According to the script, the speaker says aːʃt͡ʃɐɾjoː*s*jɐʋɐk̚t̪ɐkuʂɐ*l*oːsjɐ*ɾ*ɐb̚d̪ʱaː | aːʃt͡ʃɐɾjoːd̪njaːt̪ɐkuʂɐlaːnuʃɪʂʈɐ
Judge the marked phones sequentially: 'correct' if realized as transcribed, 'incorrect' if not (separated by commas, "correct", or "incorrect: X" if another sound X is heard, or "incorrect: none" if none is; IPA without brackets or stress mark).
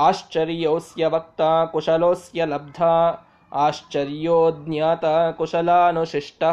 correct, correct, incorrect: l